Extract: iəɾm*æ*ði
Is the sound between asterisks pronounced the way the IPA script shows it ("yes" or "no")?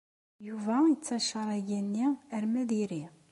yes